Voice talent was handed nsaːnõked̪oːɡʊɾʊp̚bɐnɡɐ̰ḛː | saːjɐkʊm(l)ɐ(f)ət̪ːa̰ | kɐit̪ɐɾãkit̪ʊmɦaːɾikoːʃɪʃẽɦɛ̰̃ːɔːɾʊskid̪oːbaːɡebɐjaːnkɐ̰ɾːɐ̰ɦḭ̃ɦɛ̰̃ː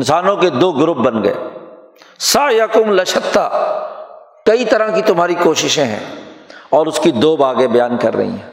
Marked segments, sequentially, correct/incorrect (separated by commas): correct, incorrect